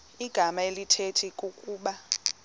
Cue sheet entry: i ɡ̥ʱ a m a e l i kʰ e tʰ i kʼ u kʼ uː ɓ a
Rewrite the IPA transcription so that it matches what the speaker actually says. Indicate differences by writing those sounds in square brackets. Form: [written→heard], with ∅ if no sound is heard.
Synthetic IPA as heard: i ɡ̥ʱ a m a e l i [kʰ→tʰ] e tʰ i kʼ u kʼ uː ɓ a